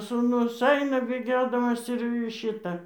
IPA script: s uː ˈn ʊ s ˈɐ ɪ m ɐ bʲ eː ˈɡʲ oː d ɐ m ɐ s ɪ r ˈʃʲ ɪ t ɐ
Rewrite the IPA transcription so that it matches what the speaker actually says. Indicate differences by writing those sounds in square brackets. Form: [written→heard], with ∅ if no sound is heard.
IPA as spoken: s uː ˈn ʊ s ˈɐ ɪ [m→n] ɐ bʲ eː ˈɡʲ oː d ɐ m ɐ s ɪ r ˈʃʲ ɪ t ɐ